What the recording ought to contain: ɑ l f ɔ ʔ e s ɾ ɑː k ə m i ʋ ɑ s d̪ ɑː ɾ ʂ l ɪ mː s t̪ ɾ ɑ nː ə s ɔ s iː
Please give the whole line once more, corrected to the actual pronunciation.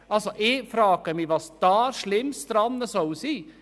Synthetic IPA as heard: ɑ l s ɔ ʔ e f ɾ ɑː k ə m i ʋ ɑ s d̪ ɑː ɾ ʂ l ɪ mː s t̪ ɾ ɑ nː ə s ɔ s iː